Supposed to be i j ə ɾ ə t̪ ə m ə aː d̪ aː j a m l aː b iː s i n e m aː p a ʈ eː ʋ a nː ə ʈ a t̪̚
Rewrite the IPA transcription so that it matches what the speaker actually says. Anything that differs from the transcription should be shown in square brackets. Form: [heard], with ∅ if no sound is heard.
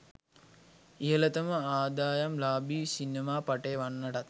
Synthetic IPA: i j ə [l] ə t̪ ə m ə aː d̪ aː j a m l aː b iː s i n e m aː p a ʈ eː ʋ a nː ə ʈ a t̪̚

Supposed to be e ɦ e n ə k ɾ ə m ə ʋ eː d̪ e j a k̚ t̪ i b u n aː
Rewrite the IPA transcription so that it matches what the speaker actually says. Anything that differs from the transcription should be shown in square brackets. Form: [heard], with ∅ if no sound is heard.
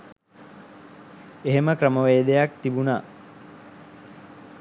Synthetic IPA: e ɦ e [m] ə k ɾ ə m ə ʋ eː d̪ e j a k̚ t̪ i b u n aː

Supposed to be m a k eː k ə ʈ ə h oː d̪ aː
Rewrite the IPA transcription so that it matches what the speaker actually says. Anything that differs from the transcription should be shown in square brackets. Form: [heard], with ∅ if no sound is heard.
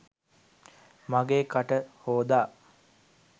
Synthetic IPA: m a [ɡ] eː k [a] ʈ ə h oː d̪ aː

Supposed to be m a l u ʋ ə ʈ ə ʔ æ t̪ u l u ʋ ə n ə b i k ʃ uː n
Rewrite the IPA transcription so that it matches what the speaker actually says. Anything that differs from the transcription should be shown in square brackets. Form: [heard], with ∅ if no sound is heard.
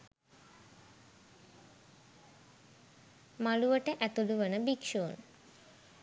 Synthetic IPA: m a l u ʋ ə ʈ ə ʔ æ t̪ u l u ʋ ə n ə b i k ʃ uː n

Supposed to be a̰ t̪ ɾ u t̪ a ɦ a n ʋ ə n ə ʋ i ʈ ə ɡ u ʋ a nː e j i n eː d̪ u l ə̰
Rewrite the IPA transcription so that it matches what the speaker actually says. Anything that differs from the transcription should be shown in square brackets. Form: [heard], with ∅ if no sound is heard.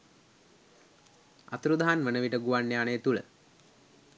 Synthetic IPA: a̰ t̪ ɾ u [d̪] a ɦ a n ʋ ə n ə ʋ i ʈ ə ɡ u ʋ a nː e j [a] n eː [t̪] u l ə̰

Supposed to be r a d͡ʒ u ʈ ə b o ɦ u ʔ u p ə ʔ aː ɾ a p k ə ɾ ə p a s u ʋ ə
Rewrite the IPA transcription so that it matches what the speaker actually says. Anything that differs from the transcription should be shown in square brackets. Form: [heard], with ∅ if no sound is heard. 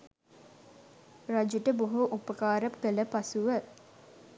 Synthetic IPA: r a d͡ʒ u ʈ ə b o ɦ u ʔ u p ə [k] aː ɾ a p k ə [l] ə p a s u ʋ ə

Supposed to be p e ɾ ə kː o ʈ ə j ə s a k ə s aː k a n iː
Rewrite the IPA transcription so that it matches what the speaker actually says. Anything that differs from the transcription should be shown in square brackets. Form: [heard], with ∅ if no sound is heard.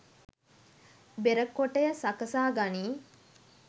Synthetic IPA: [b] e ɾ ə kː o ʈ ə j ə s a k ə s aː [ɡ] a n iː

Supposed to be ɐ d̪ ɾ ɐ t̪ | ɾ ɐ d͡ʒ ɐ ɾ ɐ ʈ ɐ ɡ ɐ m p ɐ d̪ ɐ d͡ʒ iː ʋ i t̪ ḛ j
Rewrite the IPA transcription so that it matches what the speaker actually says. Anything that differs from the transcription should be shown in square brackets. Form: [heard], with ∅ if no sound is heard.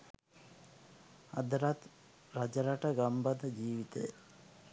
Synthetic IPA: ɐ d̪ ɾ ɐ t̪ | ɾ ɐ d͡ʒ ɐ ɾ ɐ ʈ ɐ ɡ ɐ m [b] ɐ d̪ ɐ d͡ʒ iː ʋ i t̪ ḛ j

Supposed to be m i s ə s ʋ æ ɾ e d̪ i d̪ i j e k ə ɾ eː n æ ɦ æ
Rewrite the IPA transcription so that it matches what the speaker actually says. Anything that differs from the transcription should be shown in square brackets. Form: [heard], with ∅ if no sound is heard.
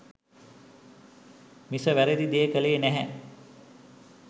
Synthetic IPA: m i s ə [∅] ʋ æ ɾ e d̪ i d̪ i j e k ə [l] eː n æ ɦ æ

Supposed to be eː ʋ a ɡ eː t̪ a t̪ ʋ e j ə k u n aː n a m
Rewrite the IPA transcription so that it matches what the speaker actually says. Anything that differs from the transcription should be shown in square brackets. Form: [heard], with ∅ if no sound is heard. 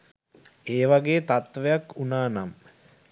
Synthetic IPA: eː ʋ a ɡ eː t̪ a t̪ ʋ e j [a] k u n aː n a m

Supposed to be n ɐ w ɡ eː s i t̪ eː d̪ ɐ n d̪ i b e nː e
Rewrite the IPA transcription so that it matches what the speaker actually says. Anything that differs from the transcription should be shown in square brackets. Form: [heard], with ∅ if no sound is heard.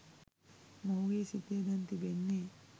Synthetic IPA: [m] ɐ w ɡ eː s i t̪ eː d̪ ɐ n [t̪] i b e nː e

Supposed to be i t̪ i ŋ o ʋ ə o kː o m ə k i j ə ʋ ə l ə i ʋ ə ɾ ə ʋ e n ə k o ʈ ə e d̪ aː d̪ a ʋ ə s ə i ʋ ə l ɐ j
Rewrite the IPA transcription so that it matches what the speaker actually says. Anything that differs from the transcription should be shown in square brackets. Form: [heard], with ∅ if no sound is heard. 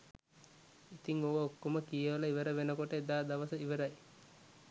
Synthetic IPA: i t̪ i ŋ o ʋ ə o kː o m ə k i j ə ʋ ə l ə i ʋ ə ɾ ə ʋ e n ə k o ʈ ə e d̪ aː d̪ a ʋ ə s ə i ʋ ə [ɾ] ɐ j

